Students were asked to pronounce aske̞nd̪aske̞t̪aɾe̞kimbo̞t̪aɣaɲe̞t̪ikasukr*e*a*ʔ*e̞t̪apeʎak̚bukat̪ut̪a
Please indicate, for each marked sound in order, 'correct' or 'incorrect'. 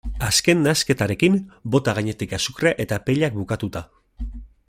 correct, correct

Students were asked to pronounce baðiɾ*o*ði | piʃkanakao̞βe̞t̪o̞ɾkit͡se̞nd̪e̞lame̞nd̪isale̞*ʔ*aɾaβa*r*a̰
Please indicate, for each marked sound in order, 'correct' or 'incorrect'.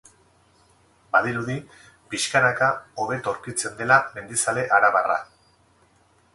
incorrect, correct, correct

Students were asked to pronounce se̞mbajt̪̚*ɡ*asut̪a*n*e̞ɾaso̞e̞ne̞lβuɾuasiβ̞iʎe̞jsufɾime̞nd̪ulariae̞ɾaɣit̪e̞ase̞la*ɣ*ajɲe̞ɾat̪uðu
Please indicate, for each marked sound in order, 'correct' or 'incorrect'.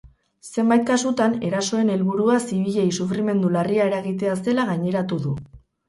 incorrect, correct, correct

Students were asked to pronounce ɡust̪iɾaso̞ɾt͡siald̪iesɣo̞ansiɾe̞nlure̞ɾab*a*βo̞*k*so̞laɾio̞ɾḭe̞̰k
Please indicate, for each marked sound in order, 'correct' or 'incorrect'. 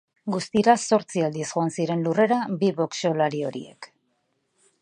incorrect, correct

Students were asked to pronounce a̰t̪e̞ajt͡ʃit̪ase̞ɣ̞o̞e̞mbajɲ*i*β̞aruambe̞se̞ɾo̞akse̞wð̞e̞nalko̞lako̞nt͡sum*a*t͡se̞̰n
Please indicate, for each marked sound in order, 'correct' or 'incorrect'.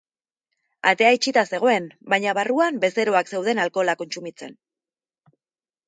incorrect, incorrect

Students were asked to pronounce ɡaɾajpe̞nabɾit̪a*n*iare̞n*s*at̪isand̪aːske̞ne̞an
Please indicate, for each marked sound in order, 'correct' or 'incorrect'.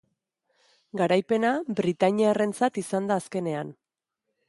incorrect, incorrect

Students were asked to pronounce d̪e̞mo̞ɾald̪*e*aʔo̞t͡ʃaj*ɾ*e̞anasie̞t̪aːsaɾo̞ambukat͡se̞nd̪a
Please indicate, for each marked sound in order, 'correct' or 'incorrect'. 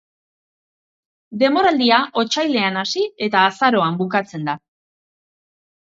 incorrect, incorrect

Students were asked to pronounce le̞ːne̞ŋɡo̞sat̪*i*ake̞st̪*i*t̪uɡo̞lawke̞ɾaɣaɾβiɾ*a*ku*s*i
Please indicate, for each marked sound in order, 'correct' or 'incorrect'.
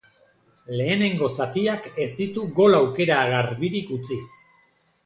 correct, correct, incorrect, incorrect

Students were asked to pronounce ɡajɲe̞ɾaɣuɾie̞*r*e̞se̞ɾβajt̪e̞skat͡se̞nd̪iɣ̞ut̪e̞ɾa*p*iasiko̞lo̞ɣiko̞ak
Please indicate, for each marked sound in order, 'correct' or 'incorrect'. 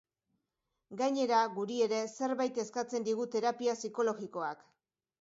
incorrect, correct

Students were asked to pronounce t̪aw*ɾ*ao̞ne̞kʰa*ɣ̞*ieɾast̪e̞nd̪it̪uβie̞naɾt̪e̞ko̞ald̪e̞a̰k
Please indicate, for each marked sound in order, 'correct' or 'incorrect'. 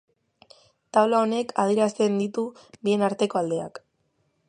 incorrect, incorrect

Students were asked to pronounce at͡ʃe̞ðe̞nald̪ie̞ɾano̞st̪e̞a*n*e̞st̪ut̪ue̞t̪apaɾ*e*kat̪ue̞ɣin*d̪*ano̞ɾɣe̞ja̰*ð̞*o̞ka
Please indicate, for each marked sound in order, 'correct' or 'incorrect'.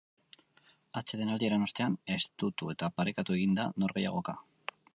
correct, correct, correct, incorrect

